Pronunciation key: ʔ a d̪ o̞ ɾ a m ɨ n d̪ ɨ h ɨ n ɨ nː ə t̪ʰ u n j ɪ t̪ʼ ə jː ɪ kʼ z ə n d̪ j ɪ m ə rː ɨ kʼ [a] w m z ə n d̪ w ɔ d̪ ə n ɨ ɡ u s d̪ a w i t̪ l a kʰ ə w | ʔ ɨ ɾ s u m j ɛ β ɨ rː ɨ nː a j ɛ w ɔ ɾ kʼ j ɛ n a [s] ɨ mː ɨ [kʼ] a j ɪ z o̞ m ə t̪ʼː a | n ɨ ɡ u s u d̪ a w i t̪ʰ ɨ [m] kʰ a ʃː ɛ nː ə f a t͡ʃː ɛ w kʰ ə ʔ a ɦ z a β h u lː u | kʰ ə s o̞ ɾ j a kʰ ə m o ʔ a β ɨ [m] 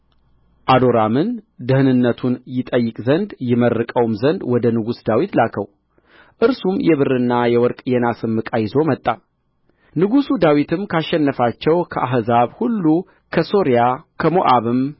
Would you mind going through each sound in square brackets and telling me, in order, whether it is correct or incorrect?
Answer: incorrect, correct, correct, correct, correct

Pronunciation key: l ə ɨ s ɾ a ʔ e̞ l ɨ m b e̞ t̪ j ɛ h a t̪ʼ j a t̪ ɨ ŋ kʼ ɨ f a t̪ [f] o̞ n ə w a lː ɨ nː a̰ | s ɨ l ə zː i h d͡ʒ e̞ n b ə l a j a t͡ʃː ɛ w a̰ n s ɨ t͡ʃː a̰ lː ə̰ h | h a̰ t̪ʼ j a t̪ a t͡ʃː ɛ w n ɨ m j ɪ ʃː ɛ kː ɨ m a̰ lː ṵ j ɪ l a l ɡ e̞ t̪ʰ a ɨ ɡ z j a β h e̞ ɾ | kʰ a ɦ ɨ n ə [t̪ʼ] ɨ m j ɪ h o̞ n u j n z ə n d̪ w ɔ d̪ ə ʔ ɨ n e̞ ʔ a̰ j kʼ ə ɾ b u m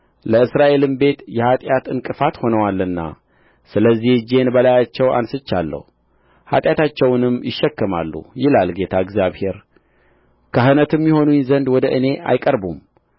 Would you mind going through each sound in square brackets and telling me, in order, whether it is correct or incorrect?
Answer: incorrect, incorrect

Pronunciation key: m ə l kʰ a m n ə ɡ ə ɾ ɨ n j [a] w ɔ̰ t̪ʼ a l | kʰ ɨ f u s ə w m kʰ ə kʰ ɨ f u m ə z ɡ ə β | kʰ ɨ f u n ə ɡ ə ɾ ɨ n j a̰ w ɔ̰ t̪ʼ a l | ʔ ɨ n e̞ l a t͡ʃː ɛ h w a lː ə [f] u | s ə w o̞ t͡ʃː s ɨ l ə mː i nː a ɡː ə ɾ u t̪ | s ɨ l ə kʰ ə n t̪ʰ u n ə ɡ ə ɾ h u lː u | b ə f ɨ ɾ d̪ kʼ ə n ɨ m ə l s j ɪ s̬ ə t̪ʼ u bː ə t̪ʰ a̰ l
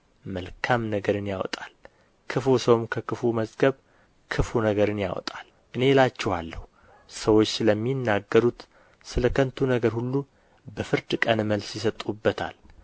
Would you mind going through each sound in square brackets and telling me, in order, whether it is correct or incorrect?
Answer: correct, incorrect

